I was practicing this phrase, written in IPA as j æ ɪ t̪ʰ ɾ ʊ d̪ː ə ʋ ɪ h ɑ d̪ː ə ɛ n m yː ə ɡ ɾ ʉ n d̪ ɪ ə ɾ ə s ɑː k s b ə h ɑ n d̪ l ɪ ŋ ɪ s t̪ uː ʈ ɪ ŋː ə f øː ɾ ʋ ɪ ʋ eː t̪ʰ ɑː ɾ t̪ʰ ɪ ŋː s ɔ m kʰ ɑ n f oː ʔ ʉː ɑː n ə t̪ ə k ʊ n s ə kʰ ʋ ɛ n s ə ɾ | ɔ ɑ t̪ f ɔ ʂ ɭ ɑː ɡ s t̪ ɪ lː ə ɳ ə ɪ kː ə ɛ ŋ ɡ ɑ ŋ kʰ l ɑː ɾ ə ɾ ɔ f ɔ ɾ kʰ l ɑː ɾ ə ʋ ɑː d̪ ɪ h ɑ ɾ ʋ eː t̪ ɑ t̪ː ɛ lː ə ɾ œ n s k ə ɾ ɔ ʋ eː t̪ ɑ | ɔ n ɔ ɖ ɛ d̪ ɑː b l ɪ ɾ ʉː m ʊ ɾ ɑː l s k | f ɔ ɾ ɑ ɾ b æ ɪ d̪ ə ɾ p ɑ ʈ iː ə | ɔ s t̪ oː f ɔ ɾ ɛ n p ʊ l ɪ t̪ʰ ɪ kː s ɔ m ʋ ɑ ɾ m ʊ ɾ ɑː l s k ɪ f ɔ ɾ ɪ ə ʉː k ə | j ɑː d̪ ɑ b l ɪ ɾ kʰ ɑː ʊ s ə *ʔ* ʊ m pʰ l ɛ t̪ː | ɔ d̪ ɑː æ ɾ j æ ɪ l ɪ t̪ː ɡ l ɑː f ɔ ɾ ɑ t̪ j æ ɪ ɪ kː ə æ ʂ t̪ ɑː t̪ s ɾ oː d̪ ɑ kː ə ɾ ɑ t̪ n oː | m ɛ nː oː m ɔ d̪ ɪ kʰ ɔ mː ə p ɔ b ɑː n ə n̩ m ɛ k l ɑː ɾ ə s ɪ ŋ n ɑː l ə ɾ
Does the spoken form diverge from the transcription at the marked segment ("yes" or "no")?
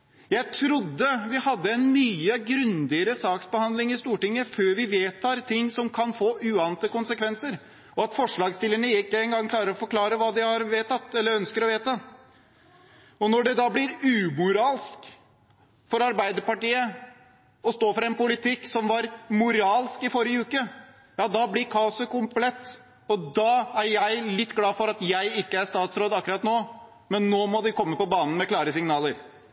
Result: yes